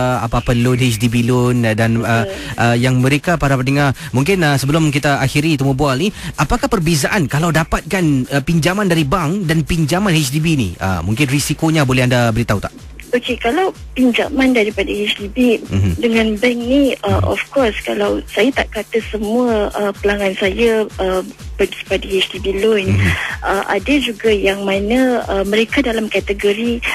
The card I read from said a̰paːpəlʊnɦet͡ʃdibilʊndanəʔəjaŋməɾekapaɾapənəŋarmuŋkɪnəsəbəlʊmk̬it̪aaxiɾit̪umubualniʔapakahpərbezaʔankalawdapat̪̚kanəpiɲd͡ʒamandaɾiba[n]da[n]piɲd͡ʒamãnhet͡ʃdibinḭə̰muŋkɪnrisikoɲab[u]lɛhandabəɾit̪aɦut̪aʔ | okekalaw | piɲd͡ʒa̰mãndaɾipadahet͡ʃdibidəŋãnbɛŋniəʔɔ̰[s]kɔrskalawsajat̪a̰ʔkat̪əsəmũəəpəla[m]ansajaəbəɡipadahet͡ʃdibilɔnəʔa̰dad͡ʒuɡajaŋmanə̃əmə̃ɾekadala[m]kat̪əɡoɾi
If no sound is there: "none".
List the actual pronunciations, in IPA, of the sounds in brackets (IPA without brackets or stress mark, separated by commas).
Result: ŋ, n, o, f, ŋ, m